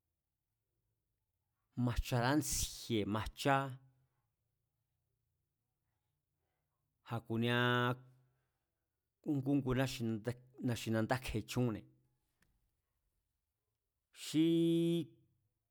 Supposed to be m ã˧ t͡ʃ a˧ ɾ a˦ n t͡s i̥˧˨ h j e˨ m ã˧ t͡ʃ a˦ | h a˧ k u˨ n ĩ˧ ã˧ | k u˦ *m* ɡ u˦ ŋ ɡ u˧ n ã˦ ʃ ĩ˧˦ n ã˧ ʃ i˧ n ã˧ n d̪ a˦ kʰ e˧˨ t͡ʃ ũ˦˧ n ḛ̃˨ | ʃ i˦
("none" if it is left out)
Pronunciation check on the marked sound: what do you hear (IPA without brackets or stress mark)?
ŋ